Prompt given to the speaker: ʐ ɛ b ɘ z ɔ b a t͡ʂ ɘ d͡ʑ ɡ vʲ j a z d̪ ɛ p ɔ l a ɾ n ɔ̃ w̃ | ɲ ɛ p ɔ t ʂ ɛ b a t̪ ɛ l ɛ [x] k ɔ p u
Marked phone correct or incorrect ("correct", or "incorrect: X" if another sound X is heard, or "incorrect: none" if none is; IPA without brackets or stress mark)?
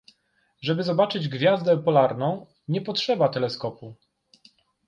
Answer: incorrect: s